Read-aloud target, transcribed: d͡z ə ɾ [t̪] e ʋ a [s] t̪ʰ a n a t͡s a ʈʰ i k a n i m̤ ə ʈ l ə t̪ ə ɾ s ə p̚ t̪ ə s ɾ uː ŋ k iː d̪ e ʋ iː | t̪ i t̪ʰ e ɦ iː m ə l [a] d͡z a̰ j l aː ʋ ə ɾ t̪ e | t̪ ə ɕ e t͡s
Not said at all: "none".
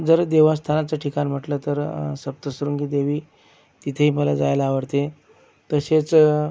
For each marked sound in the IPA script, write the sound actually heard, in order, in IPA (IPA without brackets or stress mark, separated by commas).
d̪, s, a